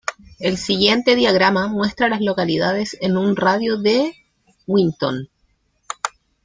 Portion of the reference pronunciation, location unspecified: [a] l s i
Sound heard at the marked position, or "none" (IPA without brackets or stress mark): e